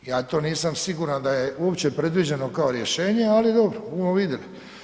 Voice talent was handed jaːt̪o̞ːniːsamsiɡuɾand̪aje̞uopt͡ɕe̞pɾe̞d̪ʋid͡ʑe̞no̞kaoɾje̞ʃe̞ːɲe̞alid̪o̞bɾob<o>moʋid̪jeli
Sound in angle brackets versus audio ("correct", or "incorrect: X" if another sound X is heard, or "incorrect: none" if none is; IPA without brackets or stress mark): incorrect: u